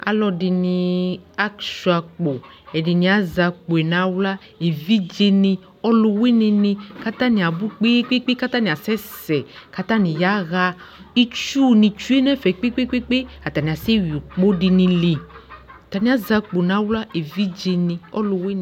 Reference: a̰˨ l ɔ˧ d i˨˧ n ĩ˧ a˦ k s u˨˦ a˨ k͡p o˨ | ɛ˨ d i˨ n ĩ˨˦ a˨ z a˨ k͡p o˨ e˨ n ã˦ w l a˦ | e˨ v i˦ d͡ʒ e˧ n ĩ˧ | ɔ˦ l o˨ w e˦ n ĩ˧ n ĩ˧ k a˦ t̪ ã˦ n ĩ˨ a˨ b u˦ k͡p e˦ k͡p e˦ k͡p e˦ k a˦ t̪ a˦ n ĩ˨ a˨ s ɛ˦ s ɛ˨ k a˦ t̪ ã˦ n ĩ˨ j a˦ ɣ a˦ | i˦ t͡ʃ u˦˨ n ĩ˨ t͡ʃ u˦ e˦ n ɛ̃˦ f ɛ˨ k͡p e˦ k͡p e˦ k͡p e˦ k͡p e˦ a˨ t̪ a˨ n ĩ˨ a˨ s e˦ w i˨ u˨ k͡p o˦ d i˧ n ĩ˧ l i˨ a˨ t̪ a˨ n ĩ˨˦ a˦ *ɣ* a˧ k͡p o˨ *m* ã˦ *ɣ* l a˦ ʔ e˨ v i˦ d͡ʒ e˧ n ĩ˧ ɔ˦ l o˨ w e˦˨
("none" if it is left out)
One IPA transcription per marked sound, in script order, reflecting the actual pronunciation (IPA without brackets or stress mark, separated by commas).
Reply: z, n, w